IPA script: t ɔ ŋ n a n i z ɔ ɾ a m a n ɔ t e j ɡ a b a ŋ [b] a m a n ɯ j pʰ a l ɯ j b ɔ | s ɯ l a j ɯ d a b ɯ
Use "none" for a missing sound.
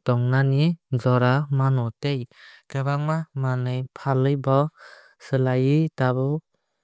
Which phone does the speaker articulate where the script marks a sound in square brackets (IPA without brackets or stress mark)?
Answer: m